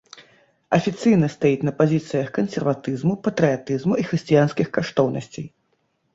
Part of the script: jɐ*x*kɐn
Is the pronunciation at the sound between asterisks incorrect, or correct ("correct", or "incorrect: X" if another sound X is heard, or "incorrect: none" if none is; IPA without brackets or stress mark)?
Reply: correct